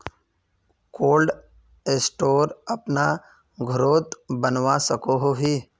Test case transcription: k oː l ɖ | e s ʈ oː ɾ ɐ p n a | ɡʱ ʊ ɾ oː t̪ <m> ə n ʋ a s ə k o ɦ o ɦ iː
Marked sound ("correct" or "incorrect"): incorrect